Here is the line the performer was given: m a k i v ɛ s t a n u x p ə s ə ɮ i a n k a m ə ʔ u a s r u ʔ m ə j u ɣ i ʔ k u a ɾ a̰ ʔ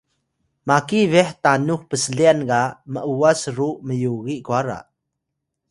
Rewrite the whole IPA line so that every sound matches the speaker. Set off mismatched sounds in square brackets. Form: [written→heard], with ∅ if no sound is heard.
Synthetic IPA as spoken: m a k i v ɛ [s→ħ] t a n u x p ə s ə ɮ i a n k a m ə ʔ u a s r u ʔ m ə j u ɣ i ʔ k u a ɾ a̰ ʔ

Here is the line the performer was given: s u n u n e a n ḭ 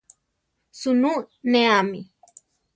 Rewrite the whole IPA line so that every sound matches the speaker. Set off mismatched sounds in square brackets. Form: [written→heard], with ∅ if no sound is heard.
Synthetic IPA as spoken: s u n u n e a [n→m] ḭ

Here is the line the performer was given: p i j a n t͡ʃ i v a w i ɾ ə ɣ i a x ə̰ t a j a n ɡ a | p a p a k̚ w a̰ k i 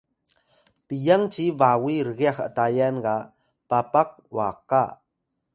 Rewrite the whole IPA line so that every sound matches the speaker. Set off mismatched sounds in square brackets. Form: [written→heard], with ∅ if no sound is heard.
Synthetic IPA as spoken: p i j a [n→ŋ] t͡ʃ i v a w i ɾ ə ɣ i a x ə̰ t a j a n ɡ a | p a p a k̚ w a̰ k [i→a]

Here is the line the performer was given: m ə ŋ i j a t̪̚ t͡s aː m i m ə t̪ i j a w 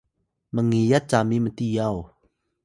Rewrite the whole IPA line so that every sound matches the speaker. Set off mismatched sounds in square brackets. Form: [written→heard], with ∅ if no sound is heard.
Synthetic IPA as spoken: m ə ŋ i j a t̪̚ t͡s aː m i m ə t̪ i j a w

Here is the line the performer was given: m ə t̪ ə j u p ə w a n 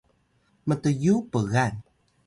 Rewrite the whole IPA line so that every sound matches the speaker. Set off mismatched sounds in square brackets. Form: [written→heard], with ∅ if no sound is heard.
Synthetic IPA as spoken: m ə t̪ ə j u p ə [w→ɣ] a n

